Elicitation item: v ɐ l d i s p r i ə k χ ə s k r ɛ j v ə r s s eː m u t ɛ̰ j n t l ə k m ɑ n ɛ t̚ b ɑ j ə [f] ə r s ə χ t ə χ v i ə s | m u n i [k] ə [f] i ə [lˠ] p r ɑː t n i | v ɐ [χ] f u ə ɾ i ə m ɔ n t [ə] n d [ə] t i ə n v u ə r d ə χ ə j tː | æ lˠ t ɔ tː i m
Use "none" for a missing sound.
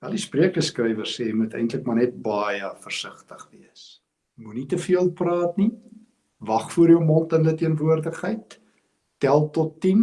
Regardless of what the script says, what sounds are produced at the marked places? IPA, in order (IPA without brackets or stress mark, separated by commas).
f, t, f, lˠ, χ, ə, ə